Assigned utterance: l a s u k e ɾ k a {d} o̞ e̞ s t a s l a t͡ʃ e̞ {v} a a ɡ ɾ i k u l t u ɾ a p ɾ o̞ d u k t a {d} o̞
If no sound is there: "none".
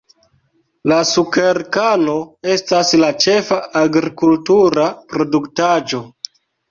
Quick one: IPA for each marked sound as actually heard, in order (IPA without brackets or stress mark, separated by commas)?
n, f, d͡ʒ